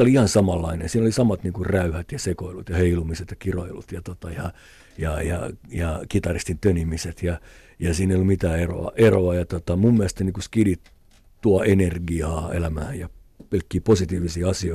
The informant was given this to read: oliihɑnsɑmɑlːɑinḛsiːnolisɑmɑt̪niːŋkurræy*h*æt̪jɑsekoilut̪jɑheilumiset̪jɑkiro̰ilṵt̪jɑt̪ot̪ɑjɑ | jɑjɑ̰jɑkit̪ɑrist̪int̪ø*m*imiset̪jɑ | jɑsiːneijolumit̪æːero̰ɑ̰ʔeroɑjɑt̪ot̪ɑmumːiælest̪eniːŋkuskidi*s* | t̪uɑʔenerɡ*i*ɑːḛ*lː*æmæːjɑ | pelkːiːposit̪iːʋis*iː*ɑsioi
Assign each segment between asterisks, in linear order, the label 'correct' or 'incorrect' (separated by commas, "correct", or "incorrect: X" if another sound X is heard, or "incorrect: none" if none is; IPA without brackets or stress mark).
correct, incorrect: n, incorrect: t, correct, incorrect: l, correct